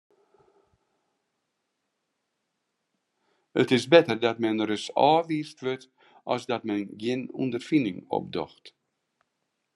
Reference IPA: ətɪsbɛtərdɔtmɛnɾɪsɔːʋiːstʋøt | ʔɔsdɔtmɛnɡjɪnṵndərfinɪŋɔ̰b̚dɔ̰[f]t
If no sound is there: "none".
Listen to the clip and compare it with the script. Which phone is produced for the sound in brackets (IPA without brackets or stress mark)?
x